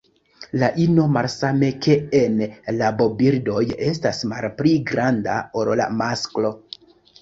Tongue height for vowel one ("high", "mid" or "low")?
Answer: low